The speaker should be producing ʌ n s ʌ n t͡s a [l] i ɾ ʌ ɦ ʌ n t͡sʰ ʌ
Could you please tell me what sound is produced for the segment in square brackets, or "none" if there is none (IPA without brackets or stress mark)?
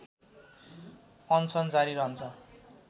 ɾ